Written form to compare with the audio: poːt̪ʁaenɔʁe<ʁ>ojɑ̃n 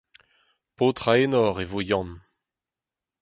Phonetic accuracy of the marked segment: incorrect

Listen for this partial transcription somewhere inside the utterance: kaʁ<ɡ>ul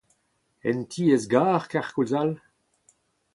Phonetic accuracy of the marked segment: incorrect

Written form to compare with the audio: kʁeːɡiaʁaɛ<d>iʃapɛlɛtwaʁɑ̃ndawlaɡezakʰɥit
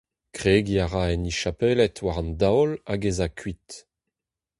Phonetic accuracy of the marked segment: incorrect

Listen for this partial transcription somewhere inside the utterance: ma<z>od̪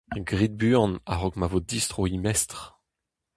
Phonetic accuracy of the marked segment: incorrect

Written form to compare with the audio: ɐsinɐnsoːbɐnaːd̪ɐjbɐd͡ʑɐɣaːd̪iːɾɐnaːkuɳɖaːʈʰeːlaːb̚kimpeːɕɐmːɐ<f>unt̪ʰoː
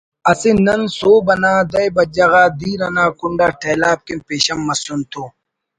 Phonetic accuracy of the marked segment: incorrect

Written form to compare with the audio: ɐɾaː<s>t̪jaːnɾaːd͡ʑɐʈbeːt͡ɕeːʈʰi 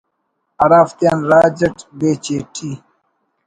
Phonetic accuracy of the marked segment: incorrect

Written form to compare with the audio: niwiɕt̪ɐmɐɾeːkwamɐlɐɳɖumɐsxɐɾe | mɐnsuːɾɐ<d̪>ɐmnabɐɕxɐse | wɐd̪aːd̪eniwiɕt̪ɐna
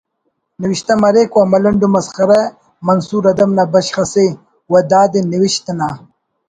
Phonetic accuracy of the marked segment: correct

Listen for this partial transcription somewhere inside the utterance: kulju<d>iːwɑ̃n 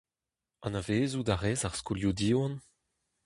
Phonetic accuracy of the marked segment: correct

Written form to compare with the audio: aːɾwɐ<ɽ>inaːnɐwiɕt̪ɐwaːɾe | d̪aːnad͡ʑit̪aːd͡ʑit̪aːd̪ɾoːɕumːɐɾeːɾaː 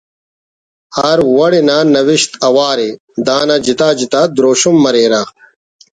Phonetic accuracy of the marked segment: correct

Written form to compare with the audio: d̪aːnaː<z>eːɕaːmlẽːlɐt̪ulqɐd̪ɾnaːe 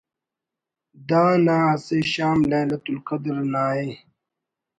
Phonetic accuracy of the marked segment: incorrect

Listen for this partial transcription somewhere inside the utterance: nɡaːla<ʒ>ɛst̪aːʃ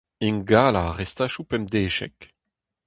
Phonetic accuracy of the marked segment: incorrect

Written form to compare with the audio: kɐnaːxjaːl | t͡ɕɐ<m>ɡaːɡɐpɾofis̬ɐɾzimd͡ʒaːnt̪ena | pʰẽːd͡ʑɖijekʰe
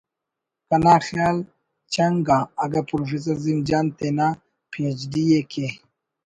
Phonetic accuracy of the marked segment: incorrect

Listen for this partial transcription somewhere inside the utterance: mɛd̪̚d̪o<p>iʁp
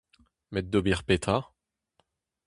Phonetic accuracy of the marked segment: incorrect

